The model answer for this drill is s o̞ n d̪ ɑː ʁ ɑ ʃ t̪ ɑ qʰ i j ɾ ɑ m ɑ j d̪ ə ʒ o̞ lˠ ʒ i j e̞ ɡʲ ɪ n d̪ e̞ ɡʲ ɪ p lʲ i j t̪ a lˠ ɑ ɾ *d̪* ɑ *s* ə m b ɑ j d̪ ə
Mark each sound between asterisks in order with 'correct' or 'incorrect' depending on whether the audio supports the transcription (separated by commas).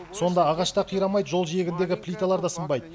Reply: correct, correct